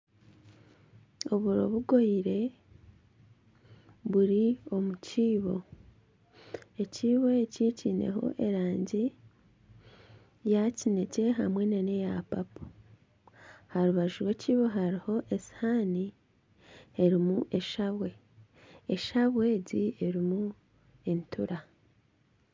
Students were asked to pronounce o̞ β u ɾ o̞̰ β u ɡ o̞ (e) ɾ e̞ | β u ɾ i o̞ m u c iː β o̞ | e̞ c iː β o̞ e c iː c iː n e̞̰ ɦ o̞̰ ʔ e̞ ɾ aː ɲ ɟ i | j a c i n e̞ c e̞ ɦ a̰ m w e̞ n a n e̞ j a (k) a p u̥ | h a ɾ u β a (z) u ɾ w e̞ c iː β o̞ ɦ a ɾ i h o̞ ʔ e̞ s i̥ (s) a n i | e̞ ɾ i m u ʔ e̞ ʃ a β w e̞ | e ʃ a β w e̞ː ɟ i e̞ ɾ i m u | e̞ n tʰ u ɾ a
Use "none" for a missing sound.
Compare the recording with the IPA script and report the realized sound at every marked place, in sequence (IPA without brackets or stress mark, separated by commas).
i, p, ʒ, h